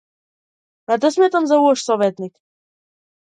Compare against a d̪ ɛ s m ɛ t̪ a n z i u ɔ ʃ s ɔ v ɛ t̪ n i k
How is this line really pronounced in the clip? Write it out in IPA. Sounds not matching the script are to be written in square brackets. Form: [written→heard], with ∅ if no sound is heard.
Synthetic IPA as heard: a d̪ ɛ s m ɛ t̪ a [n→m] z [i→a] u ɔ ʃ s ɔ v ɛ t̪ n i k